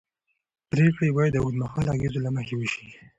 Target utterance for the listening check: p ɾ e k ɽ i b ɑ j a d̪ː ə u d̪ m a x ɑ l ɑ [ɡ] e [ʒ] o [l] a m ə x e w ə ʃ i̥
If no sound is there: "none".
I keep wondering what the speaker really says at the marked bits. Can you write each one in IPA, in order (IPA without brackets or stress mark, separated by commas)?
ɡ, z, l